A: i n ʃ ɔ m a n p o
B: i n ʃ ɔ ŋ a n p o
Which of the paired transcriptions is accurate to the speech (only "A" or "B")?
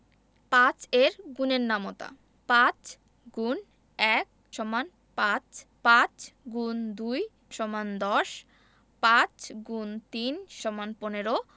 A